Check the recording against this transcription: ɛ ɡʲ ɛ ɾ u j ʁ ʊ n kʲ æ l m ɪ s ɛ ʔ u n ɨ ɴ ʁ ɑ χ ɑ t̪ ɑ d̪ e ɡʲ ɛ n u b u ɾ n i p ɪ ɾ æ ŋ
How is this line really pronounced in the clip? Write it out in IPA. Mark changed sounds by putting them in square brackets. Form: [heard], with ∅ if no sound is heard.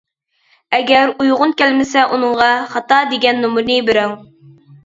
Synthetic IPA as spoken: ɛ ɡʲ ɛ ɾ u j ʁ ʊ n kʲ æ l m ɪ s ɛ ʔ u n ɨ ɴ ʁ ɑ χ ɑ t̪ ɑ d̪ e ɡʲ ɛ [nː] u [m] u ɾ n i [b] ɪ ɾ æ ŋ